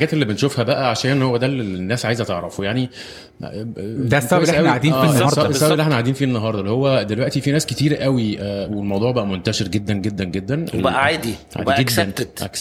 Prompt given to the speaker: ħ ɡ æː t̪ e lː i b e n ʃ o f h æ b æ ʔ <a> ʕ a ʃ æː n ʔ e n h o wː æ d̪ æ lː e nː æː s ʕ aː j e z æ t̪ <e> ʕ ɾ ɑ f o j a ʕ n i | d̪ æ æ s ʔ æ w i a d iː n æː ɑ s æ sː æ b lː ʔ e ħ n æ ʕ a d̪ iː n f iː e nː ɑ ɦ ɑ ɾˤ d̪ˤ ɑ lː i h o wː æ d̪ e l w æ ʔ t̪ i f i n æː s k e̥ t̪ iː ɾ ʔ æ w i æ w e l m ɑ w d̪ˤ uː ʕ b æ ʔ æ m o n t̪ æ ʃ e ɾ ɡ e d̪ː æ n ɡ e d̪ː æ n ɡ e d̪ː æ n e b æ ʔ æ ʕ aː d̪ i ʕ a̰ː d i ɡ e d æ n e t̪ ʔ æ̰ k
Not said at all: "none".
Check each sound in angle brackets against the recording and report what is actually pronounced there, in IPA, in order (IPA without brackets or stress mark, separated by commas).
æ, e